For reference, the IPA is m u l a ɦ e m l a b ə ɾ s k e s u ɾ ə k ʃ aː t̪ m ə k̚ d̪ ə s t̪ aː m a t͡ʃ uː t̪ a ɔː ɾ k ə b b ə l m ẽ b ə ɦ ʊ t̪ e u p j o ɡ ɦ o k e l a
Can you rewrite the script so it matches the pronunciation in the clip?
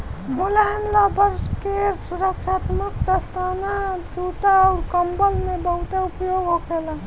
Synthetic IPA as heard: m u l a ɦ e m l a b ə ɾ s k e s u ɾ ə k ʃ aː t̪ m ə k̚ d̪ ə s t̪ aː n a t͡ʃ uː t̪ a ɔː ɾ k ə m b ə l m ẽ b ə ɦ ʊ t̪ e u p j o ɡ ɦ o k e l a